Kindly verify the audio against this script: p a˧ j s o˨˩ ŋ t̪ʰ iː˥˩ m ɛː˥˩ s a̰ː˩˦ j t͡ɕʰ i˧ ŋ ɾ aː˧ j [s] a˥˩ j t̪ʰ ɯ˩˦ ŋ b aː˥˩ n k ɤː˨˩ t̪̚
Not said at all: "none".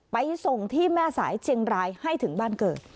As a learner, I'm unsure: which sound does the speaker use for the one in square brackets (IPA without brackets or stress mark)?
h